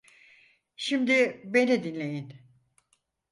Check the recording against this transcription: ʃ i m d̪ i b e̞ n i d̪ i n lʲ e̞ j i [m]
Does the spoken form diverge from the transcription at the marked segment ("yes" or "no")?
yes